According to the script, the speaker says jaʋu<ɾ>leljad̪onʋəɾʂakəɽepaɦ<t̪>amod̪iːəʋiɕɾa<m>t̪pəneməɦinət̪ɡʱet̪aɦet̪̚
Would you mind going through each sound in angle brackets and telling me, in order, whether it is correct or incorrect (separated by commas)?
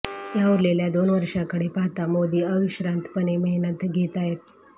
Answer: correct, correct, incorrect